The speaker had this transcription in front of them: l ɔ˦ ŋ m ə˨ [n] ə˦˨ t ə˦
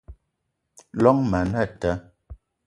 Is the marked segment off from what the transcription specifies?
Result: no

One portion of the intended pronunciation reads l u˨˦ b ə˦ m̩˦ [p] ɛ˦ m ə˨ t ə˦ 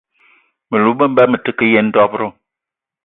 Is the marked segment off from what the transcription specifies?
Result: yes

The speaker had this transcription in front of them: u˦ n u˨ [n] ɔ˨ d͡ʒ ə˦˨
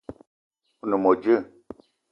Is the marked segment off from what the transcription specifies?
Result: yes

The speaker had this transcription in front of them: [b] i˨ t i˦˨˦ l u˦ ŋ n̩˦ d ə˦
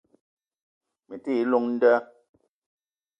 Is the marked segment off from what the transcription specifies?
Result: yes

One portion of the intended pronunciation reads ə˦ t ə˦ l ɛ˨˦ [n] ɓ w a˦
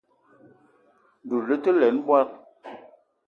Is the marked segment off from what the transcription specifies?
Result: no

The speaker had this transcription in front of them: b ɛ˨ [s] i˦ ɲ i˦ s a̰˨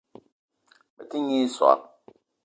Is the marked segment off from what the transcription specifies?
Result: yes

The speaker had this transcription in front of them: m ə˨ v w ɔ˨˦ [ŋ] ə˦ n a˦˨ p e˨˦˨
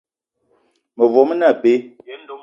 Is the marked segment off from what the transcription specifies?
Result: yes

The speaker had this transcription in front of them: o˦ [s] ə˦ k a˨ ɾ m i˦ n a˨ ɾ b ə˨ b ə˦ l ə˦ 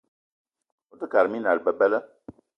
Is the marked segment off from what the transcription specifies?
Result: yes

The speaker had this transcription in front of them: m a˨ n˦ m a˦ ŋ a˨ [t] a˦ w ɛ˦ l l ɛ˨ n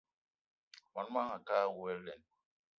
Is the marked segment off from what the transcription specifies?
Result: yes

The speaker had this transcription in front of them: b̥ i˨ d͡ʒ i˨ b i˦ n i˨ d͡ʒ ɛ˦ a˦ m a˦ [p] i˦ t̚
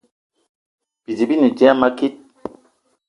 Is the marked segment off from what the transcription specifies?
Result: yes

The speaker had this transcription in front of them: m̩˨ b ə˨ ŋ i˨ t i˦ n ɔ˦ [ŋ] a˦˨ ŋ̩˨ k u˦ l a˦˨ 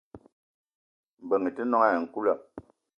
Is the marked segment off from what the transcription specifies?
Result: no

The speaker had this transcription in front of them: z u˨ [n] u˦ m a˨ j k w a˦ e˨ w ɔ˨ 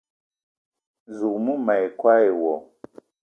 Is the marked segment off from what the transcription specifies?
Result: yes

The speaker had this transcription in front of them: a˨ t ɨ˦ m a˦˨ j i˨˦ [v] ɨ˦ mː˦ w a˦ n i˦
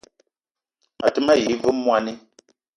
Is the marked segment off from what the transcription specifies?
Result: no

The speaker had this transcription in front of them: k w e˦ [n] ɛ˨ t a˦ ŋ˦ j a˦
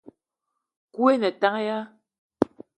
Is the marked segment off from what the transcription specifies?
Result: no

